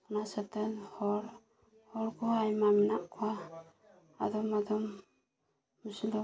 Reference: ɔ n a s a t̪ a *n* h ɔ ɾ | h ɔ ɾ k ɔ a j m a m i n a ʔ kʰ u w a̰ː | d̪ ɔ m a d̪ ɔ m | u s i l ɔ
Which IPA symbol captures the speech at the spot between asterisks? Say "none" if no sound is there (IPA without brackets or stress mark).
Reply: n